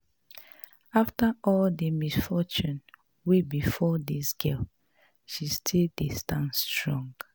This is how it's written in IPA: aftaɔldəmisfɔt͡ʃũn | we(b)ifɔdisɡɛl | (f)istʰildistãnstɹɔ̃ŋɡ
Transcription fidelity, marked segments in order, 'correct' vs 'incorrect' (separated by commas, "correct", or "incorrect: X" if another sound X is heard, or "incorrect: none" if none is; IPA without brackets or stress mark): correct, incorrect: ʃ